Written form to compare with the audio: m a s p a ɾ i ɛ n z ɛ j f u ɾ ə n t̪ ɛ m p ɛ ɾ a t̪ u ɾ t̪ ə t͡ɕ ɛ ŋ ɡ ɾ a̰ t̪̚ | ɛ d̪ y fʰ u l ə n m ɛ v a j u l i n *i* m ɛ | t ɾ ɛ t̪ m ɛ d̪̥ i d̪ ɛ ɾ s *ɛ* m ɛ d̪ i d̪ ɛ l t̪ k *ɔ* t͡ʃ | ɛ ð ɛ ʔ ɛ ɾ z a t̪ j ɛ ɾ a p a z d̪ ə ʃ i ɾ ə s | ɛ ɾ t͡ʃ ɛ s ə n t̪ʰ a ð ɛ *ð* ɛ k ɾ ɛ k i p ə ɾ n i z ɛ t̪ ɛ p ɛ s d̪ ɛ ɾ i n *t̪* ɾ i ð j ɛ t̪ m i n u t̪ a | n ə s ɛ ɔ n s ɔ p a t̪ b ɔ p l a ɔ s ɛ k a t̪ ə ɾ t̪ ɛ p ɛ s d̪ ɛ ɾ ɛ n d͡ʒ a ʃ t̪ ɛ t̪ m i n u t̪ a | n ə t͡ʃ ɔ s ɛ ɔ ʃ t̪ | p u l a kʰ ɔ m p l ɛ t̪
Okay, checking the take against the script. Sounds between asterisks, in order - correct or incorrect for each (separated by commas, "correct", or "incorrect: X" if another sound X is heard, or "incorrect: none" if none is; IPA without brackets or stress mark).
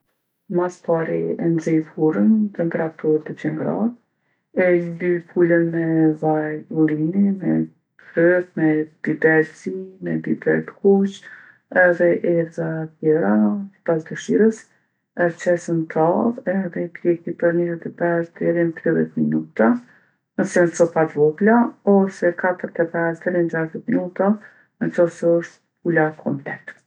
correct, incorrect: i, incorrect: u, correct, correct